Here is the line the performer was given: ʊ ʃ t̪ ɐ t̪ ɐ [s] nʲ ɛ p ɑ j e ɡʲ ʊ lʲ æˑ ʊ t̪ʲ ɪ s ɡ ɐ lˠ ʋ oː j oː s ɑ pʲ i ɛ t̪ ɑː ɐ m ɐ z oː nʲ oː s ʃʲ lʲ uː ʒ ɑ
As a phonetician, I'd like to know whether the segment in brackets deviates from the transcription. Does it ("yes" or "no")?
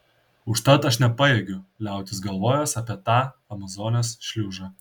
yes